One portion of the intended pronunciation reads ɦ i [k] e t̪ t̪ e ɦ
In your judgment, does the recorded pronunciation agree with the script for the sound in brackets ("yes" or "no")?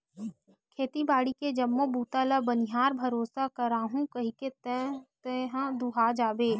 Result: yes